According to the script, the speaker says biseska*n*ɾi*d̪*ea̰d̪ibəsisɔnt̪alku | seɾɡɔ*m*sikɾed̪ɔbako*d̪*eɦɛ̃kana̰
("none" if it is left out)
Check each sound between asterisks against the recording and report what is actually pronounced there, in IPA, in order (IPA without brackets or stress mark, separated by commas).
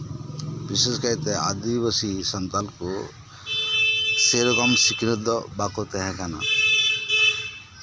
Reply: none, t̪, m, t̪